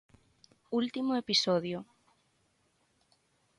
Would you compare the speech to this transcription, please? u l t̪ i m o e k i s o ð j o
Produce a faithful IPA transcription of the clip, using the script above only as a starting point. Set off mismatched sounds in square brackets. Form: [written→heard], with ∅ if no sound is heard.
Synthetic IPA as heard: u l t̪ i m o e [k→p] i s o ð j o